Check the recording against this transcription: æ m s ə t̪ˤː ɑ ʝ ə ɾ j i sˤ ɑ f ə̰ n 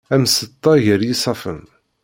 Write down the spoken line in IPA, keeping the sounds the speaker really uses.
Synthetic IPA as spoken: æ m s ə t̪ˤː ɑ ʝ ə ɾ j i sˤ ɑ f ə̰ m